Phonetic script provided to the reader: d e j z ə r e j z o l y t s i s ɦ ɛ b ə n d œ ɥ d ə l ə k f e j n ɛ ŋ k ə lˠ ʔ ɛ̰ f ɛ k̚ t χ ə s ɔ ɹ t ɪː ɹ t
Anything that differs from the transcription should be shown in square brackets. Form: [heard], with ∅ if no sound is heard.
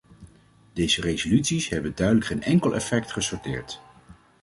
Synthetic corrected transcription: d e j z ə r e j z o l y t s i s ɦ ɛ b ə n d œ ɥ d ə l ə k [χ] e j n ɛ ŋ k ə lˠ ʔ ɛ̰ f ɛ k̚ t χ ə s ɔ ɹ t ɪː ɹ t